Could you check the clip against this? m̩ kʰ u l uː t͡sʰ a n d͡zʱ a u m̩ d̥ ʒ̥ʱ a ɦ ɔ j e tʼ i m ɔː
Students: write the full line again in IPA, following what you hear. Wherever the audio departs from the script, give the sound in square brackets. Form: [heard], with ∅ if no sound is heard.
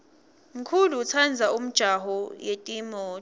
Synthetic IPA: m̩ kʰ u l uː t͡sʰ a n d͡zʱ a u m̩ d̥ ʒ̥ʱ a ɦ ɔ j e tʼ i m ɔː